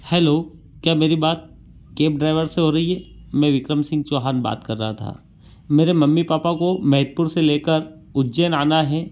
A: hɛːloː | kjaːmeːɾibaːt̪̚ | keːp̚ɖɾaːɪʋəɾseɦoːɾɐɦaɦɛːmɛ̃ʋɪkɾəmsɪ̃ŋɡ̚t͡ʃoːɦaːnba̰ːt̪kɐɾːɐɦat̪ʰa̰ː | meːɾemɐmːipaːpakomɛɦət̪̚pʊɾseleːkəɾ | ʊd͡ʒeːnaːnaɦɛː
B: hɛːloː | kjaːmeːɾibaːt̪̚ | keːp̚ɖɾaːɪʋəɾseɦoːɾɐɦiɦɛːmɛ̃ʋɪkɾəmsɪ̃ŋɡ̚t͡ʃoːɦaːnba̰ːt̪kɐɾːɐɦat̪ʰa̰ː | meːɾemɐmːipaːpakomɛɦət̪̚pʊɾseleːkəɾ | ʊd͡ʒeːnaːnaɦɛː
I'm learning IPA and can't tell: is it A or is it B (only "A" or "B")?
B